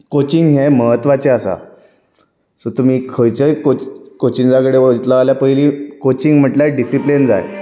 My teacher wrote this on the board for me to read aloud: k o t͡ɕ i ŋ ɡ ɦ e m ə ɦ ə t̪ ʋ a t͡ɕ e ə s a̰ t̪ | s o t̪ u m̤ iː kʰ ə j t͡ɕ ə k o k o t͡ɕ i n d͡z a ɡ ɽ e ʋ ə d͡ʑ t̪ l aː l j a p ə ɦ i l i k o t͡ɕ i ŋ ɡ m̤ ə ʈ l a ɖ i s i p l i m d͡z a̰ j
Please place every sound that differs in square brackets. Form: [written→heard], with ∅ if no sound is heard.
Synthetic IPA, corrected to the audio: k o t͡ɕ i ŋ ɡ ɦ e m ə ɦ ə t̪ ʋ a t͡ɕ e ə s a̰ [t̪→∅] | s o t̪ u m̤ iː kʰ ə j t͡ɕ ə k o k o t͡ɕ i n d͡z a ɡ ɽ e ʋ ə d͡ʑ t̪ l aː l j a p ə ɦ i l i k o t͡ɕ i ŋ ɡ m̤ ə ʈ l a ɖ i s i p l i [m→n] d͡z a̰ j

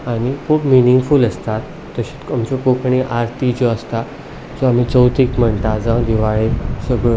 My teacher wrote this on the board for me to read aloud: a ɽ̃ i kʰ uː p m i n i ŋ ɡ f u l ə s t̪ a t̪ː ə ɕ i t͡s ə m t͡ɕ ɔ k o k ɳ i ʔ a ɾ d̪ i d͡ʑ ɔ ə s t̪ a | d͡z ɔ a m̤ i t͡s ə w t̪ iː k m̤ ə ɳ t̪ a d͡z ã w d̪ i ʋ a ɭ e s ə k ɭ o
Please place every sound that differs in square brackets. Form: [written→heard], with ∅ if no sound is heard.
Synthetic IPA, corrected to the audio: a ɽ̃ i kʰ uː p m i n i ŋ ɡ f u l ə s t̪ a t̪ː ə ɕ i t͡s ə m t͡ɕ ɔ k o k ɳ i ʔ a ɾ [d̪→t̪] i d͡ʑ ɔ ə s t̪ a | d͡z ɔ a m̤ i t͡s ə w t̪ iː k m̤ ə ɳ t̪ a d͡z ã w d̪ i ʋ a ɭ e s ə [k→ɡ] ɭ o

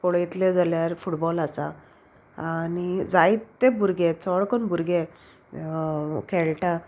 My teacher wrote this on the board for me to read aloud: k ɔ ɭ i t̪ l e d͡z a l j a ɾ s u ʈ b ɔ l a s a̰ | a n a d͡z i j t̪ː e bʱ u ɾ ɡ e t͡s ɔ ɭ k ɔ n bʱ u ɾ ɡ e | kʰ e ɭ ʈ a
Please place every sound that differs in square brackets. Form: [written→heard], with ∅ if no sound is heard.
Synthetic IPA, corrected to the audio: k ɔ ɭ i t̪ l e d͡z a l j a ɾ [s→f] u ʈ b ɔ l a s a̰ | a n [a→i] d͡z [i→a] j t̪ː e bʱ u ɾ ɡ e t͡s ɔ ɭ k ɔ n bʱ u ɾ ɡ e | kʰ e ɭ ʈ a

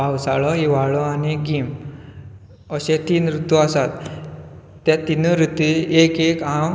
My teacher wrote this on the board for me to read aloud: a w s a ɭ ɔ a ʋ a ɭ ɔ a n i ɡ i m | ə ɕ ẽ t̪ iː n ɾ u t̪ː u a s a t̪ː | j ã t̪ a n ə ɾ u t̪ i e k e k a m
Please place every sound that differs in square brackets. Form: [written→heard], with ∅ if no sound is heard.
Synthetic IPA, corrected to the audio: a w s a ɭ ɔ [a→i] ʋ a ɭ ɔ a n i ɡ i m | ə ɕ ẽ t̪ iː n ɾ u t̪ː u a s a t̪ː | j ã t̪ [a→i] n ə ɾ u t̪ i e k e k a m

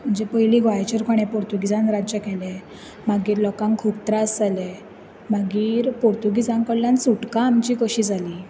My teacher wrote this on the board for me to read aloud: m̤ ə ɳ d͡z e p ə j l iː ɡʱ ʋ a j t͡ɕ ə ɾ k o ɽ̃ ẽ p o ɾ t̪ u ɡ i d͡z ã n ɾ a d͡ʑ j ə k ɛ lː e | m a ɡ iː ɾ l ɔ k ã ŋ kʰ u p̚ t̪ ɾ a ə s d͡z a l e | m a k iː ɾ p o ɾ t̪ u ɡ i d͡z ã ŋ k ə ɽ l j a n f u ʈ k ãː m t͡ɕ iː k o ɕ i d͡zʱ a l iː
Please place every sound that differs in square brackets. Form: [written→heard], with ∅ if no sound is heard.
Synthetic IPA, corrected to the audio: m̤ ə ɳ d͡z e p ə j l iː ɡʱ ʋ a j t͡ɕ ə ɾ k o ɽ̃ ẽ p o ɾ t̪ u ɡ i d͡z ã n ɾ a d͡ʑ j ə k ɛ [lː→l] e | m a ɡ iː ɾ l ɔ k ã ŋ kʰ u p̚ t̪ ɾ a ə s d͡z a l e | m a [k→ɡ] iː ɾ p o ɾ t̪ u ɡ i d͡z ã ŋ k ə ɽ l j a n [f→s] u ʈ k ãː m t͡ɕ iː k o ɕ i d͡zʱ a l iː

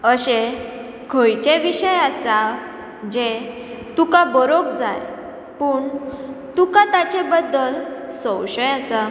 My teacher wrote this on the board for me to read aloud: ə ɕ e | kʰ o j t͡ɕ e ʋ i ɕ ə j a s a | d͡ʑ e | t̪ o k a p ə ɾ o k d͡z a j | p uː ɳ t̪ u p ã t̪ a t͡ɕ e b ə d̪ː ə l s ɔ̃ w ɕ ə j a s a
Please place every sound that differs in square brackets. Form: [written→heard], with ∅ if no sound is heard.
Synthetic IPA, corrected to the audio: ə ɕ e | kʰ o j t͡ɕ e ʋ i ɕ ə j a s a | d͡ʑ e | t̪ [o→u] k a [p→b] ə ɾ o k d͡z a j | p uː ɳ t̪ u [p→k] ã t̪ a t͡ɕ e b ə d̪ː ə l s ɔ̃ w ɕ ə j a s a

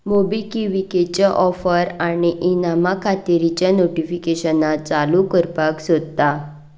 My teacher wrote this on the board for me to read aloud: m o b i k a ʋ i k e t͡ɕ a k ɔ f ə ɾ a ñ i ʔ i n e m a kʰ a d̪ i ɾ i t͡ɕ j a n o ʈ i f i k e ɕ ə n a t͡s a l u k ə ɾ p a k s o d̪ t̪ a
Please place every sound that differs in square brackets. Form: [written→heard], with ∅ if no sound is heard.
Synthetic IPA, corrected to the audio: m o b i k [a→i] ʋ i k e t͡ɕ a [k→ʔ] ɔ f ə ɾ a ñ i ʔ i n [e→a] m a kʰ a [d̪→t̪] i ɾ i t͡ɕ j a n o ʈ i f i k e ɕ ə n a t͡s a l u k ə ɾ p a k s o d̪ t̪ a

